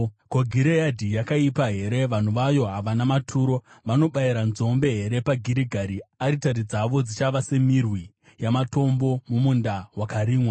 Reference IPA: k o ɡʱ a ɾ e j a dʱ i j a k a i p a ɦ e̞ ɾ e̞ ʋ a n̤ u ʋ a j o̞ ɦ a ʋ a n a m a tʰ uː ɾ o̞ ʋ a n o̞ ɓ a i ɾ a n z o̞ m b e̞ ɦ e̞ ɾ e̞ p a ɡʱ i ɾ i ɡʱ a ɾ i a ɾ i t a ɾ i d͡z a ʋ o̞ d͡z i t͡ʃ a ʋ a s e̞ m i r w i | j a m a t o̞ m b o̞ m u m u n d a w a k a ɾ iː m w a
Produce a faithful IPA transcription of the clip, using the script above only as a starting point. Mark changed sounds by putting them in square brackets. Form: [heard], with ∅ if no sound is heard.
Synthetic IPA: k o ɡʱ [i] ɾ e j a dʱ i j a k a i p a ɦ e̞ ɾ e̞ ʋ a n̤ u ʋ a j o̞ ɦ a ʋ a n a m a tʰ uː ɾ o̞ ʋ a n o̞ ɓ a i ɾ a n z o̞ m b e̞ ɦ e̞ ɾ e̞ p a ɡʱ i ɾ i ɡʱ a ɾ i a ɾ i t a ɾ i d͡z a ʋ o̞ d͡z i t͡ʃ a ʋ a s e̞ m i r w i | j a m a t o̞ m b o̞ m u m u n d a w a k a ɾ iː m w a